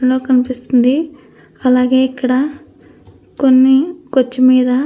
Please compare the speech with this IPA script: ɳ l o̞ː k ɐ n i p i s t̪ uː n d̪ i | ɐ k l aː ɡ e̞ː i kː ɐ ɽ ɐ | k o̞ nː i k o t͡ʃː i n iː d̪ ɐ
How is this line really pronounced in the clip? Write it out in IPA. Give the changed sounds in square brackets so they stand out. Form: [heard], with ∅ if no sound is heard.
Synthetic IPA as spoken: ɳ l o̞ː k ɐ n i p i s t̪ [u] n d̪ i | ɐ [∅] l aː ɡ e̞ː i kː ɐ ɽ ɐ | k o̞ nː i k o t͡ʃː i [m] iː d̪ ɐ